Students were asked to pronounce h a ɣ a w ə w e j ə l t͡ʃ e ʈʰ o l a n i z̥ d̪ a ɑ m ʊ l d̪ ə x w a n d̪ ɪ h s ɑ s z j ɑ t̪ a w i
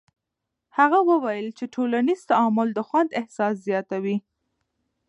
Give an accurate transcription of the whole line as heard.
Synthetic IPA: h a ɣ a w ə w a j ə l t͡ʃ e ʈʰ o l a n i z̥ t̪ a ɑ m ʊ l d̪ ə x w a n d̪ ɪ h s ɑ s z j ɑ t̪ a w i